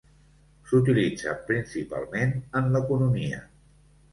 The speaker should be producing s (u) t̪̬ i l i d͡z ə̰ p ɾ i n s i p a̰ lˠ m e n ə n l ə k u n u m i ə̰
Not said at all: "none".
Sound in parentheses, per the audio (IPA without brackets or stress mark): u